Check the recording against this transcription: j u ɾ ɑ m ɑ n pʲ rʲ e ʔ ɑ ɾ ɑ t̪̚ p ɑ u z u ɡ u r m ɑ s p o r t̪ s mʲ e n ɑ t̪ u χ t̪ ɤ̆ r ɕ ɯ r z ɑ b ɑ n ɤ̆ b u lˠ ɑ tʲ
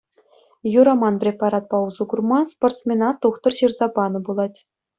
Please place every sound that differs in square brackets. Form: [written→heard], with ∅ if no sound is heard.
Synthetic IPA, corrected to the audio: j u ɾ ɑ m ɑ n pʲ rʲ e [ʔ→p] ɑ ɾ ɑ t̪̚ p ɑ u z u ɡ u r m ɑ s p o r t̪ s mʲ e n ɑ t̪ u χ t̪ ɤ̆ r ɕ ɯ r z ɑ b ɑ n ɤ̆ b u lˠ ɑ tʲ